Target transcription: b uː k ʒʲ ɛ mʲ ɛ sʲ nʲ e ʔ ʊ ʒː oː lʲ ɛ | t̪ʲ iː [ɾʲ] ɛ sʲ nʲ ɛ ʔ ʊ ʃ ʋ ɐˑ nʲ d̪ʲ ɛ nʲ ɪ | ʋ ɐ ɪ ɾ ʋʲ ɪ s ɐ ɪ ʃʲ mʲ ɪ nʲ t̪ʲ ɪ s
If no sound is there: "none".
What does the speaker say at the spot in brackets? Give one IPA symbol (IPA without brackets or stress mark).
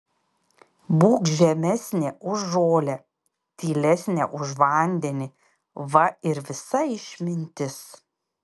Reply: lʲ